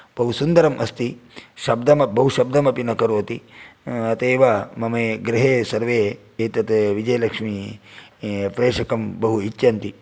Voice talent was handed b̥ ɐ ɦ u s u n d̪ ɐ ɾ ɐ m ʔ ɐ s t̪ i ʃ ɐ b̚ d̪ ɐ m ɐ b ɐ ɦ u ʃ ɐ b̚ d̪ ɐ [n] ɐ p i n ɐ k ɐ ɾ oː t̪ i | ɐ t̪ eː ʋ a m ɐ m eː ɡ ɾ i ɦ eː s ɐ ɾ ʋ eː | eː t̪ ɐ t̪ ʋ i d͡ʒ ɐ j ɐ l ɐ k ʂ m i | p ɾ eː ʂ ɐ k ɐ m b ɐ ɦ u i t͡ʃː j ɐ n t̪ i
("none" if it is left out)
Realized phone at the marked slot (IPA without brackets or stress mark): m